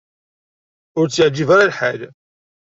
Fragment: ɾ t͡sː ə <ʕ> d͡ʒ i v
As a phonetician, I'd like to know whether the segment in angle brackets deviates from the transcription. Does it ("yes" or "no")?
no